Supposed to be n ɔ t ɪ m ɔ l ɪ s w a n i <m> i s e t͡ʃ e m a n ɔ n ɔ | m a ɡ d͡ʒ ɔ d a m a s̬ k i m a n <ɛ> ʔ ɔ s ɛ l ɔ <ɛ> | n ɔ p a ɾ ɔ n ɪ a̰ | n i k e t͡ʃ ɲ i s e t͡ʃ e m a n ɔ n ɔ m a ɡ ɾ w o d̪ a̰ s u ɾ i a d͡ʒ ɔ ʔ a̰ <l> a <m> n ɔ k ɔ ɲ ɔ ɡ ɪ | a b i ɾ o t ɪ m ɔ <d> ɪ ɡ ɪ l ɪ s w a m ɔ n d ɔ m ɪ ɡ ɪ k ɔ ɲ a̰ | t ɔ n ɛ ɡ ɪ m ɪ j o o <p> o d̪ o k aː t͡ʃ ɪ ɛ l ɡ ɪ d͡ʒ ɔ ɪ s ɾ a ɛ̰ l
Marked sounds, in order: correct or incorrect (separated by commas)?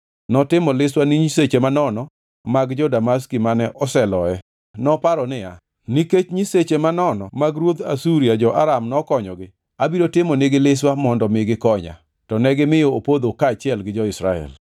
incorrect, correct, correct, incorrect, correct, incorrect, correct